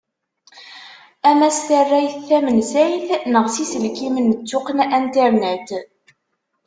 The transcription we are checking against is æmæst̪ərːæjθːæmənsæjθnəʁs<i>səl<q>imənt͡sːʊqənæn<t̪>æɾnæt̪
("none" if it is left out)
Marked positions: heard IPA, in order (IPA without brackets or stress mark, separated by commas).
i, k, t̪